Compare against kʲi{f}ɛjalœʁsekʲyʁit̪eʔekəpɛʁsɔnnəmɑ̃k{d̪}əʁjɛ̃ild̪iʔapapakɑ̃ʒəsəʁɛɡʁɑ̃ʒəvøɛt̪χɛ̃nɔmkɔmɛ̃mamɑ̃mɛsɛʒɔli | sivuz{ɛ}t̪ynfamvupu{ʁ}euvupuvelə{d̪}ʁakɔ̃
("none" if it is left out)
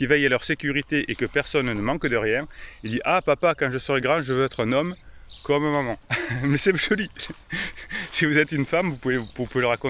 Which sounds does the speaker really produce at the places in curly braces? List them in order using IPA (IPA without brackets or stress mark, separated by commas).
v, d̪, ɛ, v, none